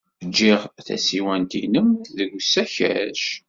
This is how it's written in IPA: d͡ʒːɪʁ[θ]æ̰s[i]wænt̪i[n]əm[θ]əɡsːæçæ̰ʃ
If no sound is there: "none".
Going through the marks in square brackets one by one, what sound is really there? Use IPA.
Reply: θ, i, n, ð

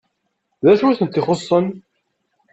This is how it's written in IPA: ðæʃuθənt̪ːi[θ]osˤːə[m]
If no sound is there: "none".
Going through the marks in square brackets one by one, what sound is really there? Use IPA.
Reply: χ, n

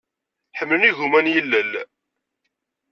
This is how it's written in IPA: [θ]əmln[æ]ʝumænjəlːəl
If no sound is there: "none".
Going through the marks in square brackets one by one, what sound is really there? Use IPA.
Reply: ħ, i

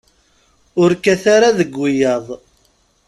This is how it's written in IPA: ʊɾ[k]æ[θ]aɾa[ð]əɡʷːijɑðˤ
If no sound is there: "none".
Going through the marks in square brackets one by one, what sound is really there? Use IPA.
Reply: k, θ, ð

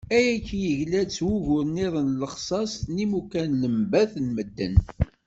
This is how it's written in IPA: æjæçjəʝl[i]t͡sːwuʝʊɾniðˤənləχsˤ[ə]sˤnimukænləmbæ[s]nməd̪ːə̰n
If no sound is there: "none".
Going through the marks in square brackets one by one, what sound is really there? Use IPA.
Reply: æ, ɑ, θ

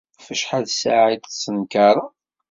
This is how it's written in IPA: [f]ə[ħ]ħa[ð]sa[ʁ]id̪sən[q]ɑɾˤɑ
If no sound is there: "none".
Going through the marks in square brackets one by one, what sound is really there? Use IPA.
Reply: f, ʃ, ð, ʕ, k

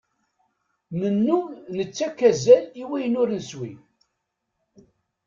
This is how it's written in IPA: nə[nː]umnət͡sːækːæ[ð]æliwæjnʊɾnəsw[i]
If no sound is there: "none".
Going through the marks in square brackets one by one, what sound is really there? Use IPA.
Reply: nː, z, i

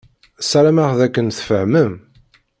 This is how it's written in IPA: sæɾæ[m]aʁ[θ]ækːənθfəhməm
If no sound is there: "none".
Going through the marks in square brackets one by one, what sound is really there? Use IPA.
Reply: m, ð

